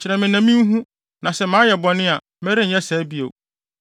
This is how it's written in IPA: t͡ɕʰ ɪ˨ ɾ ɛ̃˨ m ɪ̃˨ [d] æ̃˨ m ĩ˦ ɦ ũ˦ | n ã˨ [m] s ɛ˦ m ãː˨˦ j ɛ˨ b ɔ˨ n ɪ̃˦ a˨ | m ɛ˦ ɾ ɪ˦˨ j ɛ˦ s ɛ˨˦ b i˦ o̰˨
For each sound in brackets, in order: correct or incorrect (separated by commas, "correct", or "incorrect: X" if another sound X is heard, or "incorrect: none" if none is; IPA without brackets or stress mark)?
incorrect: n, incorrect: none